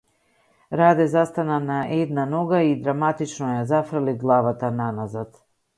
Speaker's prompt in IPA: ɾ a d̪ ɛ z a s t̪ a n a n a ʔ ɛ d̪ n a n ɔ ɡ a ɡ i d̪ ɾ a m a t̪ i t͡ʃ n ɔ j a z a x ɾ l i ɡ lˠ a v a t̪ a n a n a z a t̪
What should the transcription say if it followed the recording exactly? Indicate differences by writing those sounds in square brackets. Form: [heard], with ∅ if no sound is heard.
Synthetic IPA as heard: ɾ a d̪ ɛ z a s t̪ a n a n a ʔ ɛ d̪ n a n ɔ ɡ a [∅] i d̪ ɾ a m a t̪ i t͡ʃ n ɔ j a z a [f] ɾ l i ɡ lˠ a v a t̪ a n a n a z a t̪